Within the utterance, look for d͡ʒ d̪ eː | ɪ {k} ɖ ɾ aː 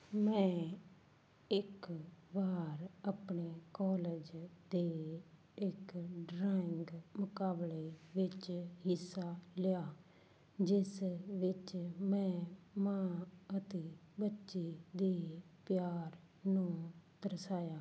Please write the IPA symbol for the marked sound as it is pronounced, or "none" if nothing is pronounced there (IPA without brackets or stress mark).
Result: k